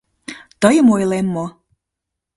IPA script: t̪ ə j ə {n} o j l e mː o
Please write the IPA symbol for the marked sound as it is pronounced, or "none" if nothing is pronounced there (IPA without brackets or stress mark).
m